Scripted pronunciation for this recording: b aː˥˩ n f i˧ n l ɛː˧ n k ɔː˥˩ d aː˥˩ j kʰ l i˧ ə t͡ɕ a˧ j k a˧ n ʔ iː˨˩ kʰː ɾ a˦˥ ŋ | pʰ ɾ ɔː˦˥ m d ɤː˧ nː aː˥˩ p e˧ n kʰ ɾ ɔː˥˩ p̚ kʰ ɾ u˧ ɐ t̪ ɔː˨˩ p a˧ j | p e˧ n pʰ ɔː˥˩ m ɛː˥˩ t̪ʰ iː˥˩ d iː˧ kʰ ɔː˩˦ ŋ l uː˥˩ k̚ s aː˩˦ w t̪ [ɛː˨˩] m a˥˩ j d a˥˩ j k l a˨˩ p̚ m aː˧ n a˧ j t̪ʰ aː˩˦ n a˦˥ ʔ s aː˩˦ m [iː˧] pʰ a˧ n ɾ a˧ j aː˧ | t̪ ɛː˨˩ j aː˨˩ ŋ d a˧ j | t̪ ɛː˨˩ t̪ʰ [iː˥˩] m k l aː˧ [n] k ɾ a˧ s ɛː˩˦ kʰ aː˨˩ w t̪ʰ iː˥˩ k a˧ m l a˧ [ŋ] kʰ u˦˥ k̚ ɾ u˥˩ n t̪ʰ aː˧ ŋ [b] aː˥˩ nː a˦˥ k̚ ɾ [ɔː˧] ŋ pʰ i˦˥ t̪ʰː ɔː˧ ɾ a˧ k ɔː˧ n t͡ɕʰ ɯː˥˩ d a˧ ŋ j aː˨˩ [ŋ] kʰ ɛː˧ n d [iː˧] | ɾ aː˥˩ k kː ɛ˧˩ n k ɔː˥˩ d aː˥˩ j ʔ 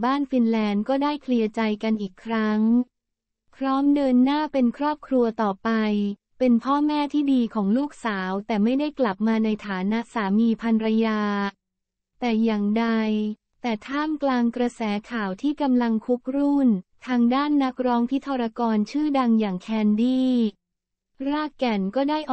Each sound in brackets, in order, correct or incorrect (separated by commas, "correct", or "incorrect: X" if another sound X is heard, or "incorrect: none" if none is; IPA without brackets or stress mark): correct, correct, incorrect: aː˥˩, incorrect: ŋ, correct, incorrect: d, incorrect: ɔː˦˥, correct, incorrect: iː˥˩